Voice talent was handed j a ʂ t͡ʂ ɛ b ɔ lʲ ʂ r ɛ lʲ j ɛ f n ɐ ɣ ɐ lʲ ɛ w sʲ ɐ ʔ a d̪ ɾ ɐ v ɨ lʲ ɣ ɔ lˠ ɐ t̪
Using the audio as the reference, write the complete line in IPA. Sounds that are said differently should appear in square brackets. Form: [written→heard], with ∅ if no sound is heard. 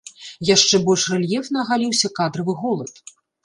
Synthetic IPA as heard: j a ʂ t͡ʂ ɛ b ɔ lʲ ʂ r ɛ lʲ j ɛ f n ɐ ɣ [ɐ→a] lʲ [ɛ→i] w sʲ ɐ [ʔ→k] a d̪ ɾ ɐ v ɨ [lʲ→∅] ɣ ɔ lˠ ɐ t̪